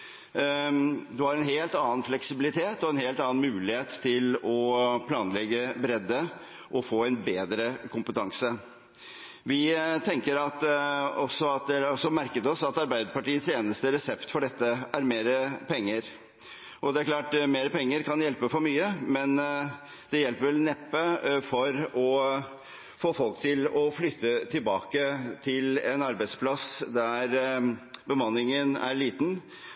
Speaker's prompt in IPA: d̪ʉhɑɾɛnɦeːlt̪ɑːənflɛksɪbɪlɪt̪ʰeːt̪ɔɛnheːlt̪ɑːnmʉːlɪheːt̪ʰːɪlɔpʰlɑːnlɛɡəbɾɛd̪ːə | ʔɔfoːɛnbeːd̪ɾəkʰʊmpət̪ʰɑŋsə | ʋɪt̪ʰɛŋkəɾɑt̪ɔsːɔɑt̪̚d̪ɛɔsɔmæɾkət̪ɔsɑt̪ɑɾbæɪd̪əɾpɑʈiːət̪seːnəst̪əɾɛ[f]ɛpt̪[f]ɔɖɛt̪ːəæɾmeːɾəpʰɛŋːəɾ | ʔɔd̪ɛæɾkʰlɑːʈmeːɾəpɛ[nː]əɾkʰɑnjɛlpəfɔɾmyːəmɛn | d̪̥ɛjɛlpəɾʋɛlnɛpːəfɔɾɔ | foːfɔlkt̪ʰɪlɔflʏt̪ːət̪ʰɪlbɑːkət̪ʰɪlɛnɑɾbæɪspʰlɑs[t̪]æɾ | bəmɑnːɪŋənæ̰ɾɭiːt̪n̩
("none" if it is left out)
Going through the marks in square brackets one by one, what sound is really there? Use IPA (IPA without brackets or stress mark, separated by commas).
s, f, ŋː, d̪